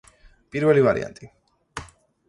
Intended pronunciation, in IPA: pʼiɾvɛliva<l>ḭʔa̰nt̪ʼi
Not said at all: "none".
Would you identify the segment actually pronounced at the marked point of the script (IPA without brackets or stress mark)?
ɾ